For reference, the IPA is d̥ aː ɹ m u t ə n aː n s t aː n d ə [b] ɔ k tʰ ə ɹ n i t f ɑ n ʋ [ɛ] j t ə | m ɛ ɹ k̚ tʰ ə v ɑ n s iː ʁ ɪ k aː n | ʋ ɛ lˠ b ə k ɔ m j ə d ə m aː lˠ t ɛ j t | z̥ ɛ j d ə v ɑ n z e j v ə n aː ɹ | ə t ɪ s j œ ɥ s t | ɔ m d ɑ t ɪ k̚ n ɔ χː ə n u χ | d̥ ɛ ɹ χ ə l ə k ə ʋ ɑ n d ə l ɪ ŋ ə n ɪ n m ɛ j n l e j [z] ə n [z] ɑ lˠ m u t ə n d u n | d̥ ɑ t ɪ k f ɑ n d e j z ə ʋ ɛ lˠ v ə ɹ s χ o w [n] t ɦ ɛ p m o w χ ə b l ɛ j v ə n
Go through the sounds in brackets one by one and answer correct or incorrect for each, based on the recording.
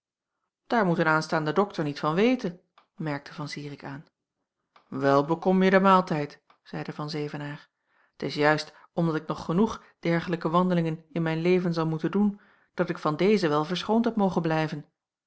incorrect: d, incorrect: e, incorrect: v, correct, correct

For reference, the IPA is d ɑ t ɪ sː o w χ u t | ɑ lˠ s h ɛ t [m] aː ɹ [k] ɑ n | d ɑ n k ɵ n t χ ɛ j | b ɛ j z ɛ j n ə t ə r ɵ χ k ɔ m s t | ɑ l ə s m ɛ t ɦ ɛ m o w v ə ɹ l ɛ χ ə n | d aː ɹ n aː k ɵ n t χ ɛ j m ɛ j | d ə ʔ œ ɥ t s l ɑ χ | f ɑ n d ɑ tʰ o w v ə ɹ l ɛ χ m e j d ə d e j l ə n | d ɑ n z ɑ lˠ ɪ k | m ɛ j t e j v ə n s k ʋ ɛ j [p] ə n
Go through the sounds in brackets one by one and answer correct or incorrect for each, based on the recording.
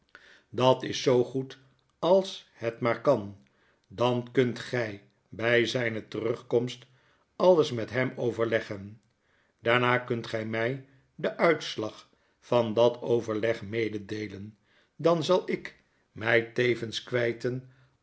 correct, correct, incorrect: t

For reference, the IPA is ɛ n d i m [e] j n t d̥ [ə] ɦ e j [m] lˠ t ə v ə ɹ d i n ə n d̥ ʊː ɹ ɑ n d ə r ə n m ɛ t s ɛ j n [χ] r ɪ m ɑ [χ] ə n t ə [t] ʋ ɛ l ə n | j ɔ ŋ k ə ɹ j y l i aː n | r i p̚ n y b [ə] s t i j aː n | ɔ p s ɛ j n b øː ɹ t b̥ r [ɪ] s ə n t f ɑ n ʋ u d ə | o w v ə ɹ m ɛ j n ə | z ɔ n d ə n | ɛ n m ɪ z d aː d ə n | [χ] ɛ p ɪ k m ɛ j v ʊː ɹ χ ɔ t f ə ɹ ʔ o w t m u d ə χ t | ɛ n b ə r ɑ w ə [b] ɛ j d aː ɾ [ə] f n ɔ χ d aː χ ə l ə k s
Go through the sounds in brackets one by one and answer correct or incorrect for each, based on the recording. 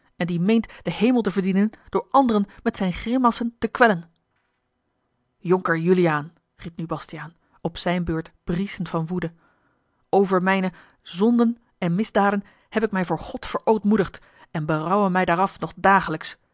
correct, correct, correct, correct, incorrect: s, incorrect: k, incorrect: ɑ, incorrect: i, incorrect: h, incorrect: m, incorrect: ɑ

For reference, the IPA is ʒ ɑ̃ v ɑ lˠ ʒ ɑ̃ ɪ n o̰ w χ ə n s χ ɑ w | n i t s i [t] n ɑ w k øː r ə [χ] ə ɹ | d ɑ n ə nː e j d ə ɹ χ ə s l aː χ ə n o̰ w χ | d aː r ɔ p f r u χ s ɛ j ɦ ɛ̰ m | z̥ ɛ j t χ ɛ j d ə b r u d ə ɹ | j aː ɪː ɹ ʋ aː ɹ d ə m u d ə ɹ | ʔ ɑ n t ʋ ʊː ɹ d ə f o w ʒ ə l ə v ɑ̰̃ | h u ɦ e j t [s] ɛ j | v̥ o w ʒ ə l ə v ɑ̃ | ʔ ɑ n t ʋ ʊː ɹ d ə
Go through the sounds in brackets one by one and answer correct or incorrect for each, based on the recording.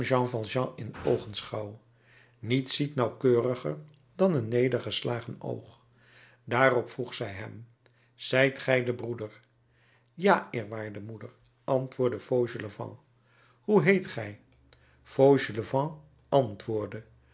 correct, correct, incorrect: χ

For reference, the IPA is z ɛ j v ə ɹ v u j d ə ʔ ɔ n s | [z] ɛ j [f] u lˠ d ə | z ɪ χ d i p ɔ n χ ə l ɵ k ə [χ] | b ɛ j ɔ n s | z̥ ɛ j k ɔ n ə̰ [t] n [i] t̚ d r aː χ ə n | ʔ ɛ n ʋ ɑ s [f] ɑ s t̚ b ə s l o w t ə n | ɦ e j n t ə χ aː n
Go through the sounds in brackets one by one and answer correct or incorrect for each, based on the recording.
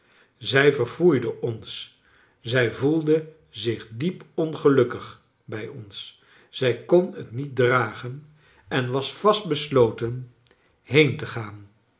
correct, incorrect: v, correct, correct, correct, correct

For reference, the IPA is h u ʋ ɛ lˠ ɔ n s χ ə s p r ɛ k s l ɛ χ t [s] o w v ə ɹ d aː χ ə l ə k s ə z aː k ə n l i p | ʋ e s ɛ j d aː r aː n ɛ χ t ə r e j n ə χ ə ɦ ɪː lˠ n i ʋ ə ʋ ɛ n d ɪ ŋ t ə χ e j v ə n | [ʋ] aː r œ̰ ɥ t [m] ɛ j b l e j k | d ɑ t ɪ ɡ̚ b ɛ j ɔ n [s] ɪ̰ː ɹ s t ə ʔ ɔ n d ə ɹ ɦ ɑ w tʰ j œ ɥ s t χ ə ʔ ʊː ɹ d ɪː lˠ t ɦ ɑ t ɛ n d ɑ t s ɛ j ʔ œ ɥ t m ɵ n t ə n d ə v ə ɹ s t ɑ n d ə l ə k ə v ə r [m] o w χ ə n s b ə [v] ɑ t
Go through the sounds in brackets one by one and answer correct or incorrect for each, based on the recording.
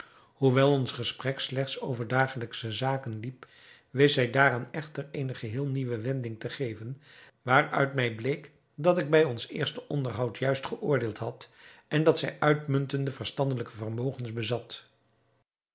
correct, correct, correct, correct, correct, incorrect: z

